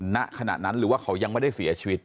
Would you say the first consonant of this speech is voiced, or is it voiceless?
voiced